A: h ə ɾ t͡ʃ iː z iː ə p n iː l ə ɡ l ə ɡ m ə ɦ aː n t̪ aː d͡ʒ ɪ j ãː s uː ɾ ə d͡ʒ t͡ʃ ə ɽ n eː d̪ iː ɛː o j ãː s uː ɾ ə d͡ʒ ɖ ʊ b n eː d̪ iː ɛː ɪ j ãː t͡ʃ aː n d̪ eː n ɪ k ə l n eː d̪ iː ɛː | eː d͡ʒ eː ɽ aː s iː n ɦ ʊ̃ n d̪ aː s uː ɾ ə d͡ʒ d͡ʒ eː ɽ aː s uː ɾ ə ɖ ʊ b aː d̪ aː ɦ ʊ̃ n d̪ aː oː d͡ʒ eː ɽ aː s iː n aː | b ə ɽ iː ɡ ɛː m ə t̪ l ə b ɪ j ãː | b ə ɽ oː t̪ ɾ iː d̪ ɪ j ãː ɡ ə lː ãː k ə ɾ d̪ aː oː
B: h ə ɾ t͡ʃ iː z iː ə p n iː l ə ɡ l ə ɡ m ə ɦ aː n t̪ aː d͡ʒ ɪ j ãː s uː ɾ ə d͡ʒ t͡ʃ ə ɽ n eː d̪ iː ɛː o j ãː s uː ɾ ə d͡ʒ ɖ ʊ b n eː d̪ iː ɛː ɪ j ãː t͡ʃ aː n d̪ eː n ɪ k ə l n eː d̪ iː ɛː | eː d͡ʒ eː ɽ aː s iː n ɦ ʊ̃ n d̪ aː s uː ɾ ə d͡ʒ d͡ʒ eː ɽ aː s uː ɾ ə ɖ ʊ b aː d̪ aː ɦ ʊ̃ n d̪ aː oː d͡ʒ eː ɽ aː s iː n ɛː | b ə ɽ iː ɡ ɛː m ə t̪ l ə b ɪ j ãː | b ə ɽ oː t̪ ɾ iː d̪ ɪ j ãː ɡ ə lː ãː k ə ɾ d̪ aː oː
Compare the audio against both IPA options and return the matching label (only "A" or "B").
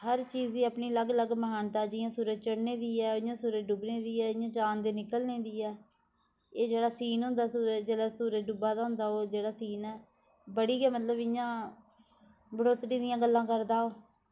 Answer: B